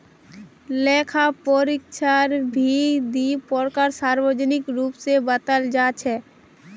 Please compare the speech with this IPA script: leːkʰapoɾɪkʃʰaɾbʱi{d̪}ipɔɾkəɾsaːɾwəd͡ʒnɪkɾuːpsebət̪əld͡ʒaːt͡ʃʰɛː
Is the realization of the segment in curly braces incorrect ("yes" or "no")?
no